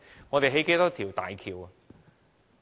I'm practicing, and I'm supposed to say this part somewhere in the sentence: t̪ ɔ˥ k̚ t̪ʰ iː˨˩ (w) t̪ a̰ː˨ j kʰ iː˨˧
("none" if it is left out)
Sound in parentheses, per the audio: w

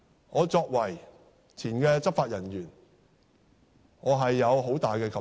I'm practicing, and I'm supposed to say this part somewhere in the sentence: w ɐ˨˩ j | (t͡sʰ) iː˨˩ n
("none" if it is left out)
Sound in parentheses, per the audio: t͡sʰ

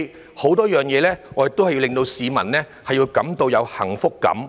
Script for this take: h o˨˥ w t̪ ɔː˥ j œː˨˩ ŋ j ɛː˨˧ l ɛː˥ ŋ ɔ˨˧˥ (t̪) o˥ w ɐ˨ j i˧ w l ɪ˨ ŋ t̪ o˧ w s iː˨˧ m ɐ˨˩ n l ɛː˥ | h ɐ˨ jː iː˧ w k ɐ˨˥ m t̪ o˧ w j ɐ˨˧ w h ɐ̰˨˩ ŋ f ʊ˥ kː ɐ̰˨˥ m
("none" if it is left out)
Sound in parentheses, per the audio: t̪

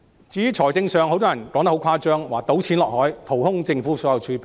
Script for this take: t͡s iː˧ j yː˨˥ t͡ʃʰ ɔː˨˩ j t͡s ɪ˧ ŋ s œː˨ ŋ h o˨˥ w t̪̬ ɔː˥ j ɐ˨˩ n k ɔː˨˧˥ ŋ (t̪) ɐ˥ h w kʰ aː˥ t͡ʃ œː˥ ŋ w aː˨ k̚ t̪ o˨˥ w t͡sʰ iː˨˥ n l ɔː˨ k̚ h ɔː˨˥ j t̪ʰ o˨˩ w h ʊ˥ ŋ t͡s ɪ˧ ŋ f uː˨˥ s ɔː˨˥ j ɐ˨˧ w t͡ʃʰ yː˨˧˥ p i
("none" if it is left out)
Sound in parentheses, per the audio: t̪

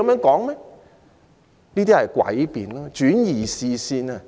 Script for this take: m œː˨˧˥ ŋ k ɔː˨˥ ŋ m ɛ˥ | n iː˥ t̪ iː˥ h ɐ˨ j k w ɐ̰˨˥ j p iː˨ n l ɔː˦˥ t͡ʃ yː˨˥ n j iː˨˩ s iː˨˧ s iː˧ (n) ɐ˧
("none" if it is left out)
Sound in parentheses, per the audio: n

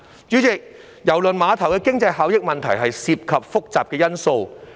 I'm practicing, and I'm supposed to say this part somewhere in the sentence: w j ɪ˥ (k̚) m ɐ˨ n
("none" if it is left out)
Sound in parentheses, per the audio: k̚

